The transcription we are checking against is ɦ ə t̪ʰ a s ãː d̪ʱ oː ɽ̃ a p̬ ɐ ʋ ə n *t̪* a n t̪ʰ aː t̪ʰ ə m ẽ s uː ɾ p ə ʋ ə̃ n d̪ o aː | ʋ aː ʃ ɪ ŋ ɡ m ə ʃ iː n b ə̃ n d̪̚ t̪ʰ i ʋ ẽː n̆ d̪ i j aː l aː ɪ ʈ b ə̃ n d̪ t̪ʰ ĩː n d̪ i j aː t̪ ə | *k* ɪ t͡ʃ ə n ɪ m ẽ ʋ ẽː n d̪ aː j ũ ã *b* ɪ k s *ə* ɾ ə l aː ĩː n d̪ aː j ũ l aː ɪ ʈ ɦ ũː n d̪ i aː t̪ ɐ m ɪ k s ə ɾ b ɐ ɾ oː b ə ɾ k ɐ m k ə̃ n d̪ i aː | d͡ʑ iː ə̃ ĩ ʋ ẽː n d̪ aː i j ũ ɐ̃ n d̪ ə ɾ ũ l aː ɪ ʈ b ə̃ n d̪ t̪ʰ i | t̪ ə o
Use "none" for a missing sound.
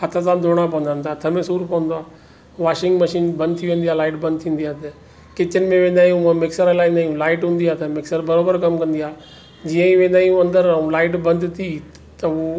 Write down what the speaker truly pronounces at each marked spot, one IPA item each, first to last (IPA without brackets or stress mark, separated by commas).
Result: d̪, k, m, ə